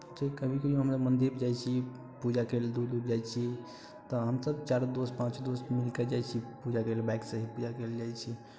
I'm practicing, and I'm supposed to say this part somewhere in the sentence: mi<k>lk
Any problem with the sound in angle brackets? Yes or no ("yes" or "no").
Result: yes